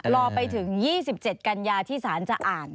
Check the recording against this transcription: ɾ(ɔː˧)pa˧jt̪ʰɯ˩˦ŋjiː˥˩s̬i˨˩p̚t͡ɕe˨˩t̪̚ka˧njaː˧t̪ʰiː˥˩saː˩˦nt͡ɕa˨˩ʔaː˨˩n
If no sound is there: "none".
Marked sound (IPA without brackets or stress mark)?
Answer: ɔː˧